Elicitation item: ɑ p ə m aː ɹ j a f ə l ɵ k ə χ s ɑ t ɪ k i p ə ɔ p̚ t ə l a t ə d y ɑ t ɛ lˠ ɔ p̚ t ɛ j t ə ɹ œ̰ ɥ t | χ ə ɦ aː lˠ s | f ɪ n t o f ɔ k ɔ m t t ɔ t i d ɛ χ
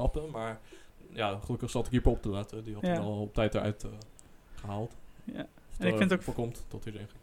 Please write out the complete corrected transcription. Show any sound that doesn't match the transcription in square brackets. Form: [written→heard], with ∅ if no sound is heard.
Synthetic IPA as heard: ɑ p ə m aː ɹ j a [f→χ] ə l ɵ k ə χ s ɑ t ɪ k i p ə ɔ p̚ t ə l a t ə d [y→i] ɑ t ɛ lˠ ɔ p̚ t ɛ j t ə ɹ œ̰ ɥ t | χ ə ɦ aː lˠ [s→t] | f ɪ n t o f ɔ k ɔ m t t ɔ t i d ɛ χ